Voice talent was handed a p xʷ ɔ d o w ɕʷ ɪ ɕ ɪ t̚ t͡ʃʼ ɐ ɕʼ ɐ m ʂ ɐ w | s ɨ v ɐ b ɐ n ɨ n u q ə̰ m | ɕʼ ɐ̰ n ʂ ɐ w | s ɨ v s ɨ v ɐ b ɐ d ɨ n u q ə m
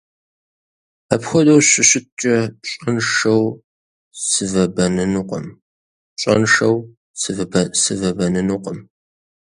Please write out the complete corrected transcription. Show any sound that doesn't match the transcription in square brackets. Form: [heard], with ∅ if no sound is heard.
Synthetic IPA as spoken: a p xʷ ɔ d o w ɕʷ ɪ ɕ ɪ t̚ t͡ʃʼ ɐ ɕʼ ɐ [n] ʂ ɐ w | s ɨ v ɐ b ɐ n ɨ n u q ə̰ m | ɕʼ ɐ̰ n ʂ ɐ w | s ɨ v s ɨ v ɐ b ɐ [n] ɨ n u q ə m